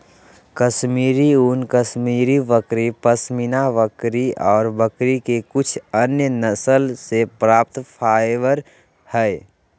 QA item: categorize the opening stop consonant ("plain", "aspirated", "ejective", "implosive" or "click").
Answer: plain